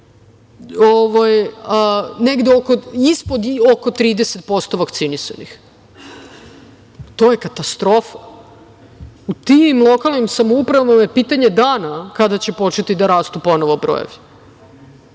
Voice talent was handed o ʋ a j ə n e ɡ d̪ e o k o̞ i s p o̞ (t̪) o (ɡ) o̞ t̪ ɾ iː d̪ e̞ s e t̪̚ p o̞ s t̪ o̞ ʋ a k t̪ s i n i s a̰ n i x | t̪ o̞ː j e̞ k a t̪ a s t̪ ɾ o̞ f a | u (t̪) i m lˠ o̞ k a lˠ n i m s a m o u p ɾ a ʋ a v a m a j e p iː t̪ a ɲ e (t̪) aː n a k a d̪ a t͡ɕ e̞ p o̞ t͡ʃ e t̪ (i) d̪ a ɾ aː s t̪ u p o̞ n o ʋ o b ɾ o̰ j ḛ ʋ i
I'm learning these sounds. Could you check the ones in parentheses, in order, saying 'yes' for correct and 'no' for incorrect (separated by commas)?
no, no, yes, no, yes